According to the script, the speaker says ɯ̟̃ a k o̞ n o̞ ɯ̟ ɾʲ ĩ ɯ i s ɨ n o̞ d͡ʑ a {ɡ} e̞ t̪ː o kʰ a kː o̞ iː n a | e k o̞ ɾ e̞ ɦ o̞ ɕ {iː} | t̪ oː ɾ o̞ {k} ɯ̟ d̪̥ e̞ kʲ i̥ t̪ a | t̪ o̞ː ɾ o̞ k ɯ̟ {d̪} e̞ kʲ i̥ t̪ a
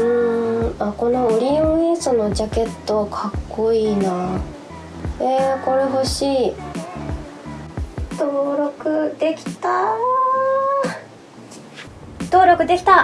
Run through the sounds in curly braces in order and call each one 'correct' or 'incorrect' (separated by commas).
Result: incorrect, correct, correct, correct